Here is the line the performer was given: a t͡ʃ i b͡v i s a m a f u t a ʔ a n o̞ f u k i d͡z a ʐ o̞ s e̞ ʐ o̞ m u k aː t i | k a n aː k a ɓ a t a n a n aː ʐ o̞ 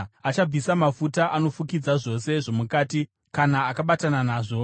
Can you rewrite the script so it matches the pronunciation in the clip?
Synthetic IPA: a t͡ʃ a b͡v i s a m a f u t a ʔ a n o̞ f u k i d͡z a ʐ o̞ s e̞ ʐ o̞ m u k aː t i | k a n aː k a ɓ a t a n a n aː ʐ o̞